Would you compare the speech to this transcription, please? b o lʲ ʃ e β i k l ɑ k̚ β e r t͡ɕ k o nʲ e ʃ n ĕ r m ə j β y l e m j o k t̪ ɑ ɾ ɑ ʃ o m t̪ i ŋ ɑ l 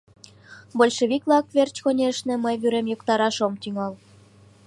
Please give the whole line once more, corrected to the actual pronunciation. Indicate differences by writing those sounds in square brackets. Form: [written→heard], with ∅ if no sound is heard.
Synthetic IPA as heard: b o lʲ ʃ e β i k l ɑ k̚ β e r t͡ɕ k o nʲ e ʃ n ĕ [r→∅] m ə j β y [l→ɾ] e m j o k t̪ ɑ ɾ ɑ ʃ o m t̪ [i→y] ŋ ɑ l